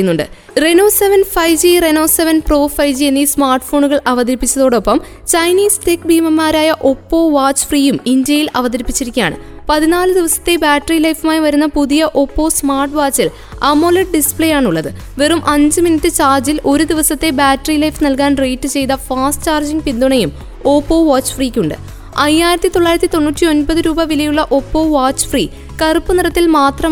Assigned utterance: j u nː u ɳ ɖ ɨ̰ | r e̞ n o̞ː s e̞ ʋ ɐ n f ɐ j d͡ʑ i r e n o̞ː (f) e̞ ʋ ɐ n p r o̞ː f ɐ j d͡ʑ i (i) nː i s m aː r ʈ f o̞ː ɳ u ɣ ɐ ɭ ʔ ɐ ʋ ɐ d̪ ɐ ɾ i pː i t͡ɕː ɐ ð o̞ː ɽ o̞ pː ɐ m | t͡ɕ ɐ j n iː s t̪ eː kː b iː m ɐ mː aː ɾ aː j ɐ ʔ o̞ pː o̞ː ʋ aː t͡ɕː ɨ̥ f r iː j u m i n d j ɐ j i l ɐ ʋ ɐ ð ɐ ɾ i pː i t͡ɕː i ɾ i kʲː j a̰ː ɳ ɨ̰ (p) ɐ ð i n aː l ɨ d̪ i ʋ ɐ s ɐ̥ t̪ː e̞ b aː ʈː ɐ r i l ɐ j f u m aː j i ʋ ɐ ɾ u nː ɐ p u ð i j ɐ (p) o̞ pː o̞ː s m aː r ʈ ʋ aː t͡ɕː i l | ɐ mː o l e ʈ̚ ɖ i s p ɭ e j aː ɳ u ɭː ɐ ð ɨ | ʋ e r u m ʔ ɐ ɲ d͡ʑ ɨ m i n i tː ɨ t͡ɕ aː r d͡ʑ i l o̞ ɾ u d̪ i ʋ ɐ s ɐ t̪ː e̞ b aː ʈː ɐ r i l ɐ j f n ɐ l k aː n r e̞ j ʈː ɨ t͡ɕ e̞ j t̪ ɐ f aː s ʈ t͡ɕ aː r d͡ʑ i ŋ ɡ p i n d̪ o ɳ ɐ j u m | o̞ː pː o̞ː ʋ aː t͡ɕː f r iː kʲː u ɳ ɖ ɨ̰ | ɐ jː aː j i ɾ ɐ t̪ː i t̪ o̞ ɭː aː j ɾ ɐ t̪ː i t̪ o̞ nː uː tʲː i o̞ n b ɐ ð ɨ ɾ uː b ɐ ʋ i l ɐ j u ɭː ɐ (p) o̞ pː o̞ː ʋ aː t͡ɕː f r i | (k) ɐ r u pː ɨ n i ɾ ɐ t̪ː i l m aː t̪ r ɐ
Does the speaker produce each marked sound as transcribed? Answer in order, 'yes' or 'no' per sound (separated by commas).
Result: no, no, yes, no, no, yes